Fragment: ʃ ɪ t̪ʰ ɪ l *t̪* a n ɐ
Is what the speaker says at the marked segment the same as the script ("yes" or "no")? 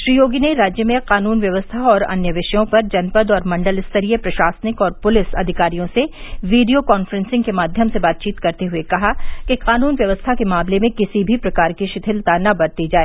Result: yes